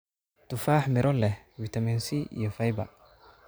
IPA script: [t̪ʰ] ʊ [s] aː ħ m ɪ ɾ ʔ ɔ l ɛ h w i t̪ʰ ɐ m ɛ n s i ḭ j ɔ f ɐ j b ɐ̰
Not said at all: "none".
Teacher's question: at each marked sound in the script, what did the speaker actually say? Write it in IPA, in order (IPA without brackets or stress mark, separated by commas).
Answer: t̪, f